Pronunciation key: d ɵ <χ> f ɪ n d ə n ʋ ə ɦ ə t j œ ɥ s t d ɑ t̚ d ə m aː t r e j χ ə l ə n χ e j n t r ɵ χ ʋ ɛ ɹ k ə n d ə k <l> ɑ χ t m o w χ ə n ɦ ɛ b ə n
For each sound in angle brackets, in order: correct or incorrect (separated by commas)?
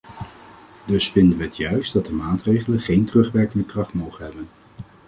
incorrect, incorrect